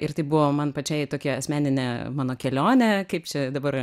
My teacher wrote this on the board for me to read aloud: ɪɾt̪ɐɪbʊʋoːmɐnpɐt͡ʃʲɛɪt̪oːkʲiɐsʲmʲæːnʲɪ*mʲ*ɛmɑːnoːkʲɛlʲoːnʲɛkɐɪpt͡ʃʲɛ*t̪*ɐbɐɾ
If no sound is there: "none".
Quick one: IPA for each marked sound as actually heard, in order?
nʲ, d̪

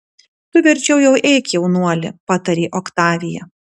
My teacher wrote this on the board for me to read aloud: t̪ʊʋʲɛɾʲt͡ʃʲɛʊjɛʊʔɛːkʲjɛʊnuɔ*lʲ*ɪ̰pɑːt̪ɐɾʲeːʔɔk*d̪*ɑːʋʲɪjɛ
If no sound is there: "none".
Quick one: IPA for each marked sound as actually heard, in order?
lʲ, t̪

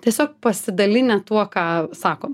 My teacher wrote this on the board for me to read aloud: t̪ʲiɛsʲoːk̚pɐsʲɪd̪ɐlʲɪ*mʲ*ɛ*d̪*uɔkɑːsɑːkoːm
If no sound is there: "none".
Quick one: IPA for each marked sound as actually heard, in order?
nʲ, t̪

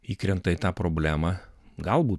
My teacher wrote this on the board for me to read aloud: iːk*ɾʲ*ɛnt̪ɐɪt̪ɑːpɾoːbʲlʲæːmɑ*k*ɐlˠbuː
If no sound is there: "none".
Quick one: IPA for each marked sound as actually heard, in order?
ɾʲ, ɡ

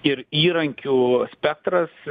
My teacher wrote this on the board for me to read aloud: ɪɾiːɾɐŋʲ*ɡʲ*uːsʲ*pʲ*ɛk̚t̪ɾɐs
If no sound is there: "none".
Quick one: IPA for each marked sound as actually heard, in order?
kʲ, pʲ

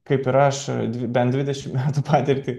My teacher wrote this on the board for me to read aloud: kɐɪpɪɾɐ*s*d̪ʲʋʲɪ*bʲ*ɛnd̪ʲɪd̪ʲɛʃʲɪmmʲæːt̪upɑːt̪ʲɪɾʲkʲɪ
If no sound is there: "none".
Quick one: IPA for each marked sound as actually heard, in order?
ʃ, bʲ

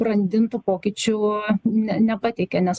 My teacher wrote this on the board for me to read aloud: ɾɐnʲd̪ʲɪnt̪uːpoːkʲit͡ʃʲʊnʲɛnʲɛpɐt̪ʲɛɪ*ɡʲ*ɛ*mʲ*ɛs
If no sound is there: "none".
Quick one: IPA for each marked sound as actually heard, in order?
kʲ, nʲ

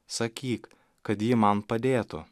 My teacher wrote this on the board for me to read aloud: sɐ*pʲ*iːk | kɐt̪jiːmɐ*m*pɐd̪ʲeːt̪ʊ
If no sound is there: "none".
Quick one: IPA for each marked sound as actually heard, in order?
kʲ, n

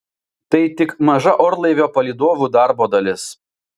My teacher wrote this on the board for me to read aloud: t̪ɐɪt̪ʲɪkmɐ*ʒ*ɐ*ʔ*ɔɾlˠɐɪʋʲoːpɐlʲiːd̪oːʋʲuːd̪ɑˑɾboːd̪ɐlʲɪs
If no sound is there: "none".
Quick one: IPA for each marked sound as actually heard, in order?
ʒ, ʔ

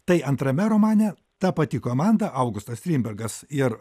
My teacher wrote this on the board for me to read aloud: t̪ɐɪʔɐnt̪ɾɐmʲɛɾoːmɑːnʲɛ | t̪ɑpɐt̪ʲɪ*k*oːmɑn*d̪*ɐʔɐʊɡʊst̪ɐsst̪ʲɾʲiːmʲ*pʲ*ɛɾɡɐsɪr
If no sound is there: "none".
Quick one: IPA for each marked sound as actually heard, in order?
k, d̪, bʲ

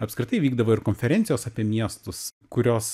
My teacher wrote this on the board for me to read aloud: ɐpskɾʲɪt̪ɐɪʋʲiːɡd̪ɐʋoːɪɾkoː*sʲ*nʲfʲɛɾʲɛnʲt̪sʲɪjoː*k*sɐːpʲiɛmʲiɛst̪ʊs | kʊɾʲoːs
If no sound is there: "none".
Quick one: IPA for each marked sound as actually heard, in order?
none, none

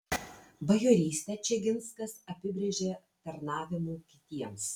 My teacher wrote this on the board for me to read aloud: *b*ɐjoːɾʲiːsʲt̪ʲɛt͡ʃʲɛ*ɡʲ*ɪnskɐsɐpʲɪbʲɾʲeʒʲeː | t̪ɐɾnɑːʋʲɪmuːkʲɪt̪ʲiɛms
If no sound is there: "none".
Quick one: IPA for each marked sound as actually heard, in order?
b, ɡʲ

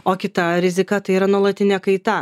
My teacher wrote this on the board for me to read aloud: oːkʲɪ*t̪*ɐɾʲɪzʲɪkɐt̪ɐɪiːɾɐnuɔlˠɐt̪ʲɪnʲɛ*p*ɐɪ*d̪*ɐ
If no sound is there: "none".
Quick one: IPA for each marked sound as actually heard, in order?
t̪, k, t̪

